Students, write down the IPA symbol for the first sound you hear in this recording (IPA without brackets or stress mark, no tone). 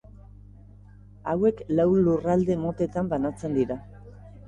a